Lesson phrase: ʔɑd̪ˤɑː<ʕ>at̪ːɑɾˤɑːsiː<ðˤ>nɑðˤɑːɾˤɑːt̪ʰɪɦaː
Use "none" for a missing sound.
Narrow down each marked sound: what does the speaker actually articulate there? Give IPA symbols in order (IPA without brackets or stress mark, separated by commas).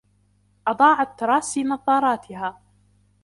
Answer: ʕ, none